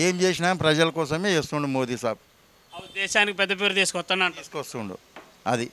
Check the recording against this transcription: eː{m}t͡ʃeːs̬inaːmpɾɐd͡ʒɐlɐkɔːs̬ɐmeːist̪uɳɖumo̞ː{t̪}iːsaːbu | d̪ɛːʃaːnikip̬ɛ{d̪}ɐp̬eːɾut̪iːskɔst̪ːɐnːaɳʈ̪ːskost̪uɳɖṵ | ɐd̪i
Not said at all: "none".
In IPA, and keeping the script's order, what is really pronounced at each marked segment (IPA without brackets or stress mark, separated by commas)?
m, d̪, d̪ː